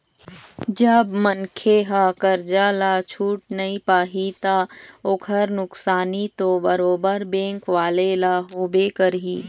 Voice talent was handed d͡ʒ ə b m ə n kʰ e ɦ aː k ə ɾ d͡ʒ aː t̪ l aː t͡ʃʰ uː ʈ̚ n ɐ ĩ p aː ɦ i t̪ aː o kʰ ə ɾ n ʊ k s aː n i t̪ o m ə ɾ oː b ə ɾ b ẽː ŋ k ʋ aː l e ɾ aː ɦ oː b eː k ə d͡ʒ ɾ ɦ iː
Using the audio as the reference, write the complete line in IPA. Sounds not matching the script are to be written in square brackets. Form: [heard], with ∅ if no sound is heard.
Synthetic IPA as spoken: d͡ʒ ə b m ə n kʰ e ɦ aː k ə ɾ d͡ʒ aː [∅] l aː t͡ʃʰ uː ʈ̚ n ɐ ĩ p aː ɦ i t̪ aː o kʰ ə ɾ n ʊ k s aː n i t̪ o [b] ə ɾ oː b ə ɾ b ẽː ŋ k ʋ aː l e [l] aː ɦ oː b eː k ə [∅] ɾ ɦ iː